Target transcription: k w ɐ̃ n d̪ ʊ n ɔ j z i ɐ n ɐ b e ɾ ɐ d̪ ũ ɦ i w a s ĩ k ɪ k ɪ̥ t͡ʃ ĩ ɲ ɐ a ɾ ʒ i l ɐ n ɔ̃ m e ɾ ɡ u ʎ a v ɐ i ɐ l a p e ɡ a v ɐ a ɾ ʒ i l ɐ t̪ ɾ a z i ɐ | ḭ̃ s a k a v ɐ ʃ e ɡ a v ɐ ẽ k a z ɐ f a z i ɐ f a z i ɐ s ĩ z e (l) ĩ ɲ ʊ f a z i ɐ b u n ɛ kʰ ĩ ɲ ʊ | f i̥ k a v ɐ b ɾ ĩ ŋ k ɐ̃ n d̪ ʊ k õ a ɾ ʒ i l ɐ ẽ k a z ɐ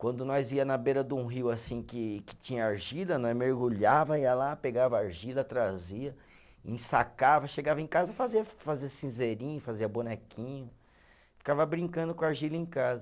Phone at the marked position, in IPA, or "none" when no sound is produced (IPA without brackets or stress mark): ɾ